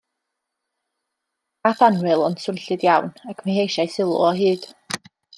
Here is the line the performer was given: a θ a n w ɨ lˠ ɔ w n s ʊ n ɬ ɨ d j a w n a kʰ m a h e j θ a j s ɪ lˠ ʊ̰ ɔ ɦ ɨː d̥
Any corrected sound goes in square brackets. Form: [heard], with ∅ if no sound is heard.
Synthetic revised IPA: a θ a n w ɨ lˠ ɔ [∅] n s ʊ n ɬ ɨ d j a w n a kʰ m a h e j [ʃ] a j s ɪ lˠ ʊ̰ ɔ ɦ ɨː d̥